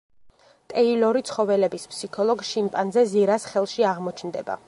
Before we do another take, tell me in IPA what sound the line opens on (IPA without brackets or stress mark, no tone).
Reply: t̪ʼ